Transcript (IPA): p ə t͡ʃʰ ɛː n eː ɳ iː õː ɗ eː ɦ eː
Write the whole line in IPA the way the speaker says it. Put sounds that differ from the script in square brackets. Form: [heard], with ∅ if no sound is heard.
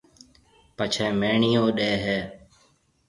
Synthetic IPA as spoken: p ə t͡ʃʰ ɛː [m] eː ɳ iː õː ɗ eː ɦ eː